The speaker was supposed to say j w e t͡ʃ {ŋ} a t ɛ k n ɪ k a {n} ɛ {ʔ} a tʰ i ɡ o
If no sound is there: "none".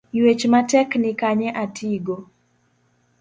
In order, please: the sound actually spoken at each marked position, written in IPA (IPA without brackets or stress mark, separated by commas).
m, ɲ, ʔ